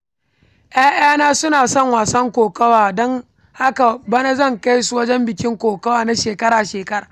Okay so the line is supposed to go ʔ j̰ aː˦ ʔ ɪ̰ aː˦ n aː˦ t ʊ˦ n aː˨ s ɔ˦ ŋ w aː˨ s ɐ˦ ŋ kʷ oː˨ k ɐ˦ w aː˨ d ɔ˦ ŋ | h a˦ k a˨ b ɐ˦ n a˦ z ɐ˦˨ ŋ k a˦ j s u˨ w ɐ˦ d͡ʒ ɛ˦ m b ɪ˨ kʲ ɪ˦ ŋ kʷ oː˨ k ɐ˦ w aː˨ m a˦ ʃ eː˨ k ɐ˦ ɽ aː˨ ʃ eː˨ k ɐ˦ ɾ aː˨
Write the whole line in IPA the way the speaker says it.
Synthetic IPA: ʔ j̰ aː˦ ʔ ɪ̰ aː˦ n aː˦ s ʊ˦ n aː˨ s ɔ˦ ŋ w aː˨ s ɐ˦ ŋ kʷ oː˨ k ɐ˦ w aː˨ d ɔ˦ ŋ | h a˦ k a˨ b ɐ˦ n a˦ z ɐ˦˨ ŋ k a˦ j s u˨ w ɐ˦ d͡ʒ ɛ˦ m b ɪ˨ kʲ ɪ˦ ŋ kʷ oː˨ k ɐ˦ w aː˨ n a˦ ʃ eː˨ k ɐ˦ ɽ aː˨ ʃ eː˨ k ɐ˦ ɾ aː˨